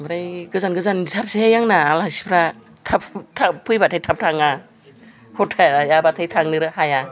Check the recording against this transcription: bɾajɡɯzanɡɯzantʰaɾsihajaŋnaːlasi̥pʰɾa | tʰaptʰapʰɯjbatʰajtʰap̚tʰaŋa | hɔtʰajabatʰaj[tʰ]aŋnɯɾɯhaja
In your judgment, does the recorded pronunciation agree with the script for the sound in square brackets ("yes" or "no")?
yes